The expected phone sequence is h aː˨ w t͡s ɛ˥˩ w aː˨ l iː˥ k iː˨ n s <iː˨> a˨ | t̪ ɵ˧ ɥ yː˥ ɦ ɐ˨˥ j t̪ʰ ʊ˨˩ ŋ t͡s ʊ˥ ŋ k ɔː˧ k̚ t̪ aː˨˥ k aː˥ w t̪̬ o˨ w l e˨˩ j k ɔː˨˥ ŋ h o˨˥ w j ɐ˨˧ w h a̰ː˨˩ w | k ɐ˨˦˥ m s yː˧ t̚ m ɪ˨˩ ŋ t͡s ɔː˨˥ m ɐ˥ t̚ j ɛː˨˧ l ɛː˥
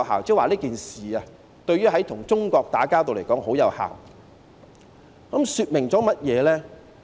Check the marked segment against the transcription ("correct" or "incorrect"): correct